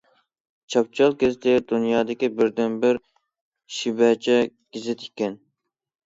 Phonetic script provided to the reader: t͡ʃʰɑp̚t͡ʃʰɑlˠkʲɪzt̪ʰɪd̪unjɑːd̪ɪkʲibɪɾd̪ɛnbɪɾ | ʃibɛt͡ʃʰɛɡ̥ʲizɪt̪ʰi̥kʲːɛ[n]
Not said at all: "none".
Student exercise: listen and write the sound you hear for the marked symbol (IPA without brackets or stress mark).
n